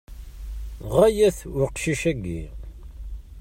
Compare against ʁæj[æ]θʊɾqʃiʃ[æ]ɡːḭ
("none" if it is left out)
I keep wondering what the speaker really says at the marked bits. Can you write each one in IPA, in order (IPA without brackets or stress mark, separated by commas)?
æ, æ